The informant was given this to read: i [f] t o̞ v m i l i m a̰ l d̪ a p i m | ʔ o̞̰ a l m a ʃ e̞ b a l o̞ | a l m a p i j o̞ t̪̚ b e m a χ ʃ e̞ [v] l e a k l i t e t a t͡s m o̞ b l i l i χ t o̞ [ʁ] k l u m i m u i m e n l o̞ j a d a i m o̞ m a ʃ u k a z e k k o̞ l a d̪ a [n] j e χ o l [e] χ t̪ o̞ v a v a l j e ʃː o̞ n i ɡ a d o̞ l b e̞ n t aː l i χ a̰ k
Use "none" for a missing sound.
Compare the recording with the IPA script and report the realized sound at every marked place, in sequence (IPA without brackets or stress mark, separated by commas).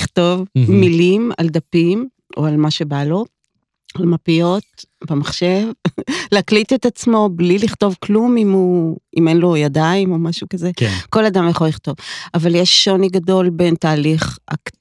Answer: χ, v, v, m, i